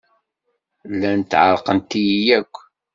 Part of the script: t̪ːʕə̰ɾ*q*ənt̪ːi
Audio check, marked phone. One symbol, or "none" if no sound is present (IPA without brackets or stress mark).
q